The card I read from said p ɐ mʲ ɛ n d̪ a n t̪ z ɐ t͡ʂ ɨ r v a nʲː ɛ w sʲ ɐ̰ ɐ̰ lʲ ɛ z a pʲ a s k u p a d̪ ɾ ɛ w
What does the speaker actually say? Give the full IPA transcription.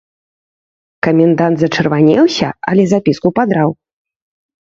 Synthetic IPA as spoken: k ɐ mʲ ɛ n d̪ a n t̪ z ɐ t͡ʂ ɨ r v a nʲ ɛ w sʲ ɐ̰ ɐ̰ lʲ ɛ z a pʲ i s k u p a d̪ ɾ a w